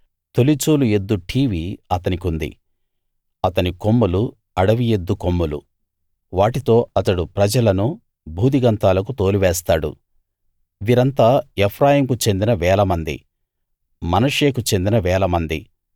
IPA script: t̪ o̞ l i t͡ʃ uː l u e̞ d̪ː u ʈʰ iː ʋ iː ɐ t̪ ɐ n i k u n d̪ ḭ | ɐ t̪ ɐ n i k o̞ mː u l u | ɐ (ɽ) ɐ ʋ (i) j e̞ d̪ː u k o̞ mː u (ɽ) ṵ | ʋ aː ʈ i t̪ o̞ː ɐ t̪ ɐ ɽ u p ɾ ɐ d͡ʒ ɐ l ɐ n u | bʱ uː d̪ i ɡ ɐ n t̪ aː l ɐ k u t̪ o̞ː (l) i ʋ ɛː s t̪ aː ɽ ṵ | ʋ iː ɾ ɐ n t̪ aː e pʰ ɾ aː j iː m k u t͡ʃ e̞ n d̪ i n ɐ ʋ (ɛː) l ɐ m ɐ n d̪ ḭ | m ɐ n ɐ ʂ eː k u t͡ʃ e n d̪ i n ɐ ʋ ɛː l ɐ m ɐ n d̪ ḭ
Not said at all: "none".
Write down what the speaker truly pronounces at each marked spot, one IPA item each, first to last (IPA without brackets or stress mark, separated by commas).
ɽ, i, l, l, ɛː